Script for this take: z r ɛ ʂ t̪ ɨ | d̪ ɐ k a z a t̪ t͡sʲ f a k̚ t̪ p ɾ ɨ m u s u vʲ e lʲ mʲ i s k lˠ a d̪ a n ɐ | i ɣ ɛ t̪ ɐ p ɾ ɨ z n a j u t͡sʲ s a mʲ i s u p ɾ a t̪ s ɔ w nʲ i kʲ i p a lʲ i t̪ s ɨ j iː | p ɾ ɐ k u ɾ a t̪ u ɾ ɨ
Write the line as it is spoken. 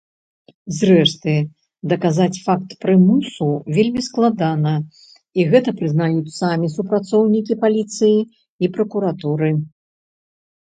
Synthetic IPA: z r ɛ ʂ t̪ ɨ | d̪ ɐ k a z a t͡sʲ f a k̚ t̪ p ɾ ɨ m u s u vʲ e lʲ mʲ i s k lˠ a d̪ a n ɐ | i ɣ ɛ t̪ ɐ p ɾ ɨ z n a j u t͡sʲ s a mʲ i s u p ɾ a t̪ s ɔ w nʲ i kʲ i p a lʲ i t̪ s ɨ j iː | p ɾ ɐ k u ɾ a t̪ u ɾ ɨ